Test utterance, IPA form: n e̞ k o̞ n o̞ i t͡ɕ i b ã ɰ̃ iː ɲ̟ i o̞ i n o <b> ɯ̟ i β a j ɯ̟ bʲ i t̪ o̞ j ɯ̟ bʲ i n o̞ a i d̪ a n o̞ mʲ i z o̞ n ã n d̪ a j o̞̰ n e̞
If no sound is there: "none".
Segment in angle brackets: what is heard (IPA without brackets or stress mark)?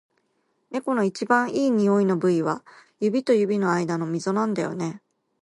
b